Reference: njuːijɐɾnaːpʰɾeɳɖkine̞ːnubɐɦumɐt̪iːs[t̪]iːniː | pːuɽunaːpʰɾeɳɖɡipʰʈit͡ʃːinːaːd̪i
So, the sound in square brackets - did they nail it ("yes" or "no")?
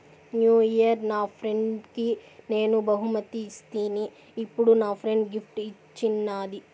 yes